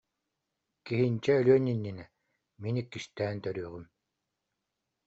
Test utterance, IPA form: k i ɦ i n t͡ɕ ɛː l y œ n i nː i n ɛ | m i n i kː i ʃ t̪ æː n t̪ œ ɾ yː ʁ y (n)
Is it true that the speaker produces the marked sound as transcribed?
no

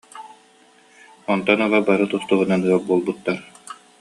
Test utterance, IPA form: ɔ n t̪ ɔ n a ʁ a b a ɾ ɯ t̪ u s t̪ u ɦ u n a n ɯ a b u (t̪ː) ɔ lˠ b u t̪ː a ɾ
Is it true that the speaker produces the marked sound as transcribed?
no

